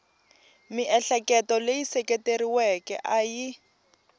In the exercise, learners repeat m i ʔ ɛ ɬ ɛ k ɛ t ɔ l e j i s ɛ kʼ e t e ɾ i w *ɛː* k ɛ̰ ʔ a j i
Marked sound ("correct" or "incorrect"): incorrect